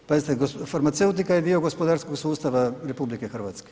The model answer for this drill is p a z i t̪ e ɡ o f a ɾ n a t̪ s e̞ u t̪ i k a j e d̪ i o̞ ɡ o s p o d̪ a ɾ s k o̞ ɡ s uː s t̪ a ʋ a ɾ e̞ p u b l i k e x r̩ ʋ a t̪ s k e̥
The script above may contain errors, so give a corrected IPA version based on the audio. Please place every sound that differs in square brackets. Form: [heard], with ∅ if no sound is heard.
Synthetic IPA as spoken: p a z i t̪ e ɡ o f a ɾ [m] a t̪ s e̞ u t̪ i k a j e d̪ i o̞ ɡ o s p o d̪ a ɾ s k o̞ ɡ s uː s t̪ a ʋ a ɾ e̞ p u b l i k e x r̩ ʋ a t̪ s k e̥